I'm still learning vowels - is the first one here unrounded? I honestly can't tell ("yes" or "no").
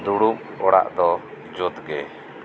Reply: no